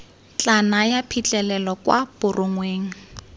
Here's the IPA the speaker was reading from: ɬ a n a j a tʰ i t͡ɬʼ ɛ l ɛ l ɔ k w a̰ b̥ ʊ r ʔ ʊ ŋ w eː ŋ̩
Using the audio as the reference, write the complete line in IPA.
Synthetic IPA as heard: t͡ɬ a n a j a pʰ i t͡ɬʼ ɛ l ɛ l ɔ k w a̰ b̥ ʊ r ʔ ʊ ŋ w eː ŋ̩